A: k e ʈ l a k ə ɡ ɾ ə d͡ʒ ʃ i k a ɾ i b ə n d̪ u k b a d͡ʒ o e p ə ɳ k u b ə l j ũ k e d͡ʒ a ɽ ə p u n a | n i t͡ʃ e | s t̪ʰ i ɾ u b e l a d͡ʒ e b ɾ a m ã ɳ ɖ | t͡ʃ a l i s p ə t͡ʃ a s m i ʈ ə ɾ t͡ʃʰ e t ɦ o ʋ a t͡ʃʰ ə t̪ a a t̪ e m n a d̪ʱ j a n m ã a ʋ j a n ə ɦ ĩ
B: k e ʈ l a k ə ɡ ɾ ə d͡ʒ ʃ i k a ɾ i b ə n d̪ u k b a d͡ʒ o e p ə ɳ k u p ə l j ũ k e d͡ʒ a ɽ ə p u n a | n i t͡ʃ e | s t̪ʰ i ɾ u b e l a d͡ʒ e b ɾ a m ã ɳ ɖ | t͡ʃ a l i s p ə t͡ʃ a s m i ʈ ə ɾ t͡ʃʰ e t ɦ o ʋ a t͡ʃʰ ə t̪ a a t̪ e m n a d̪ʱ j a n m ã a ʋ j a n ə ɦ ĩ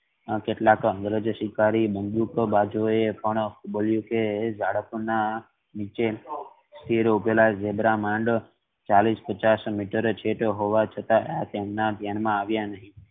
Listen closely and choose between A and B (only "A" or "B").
A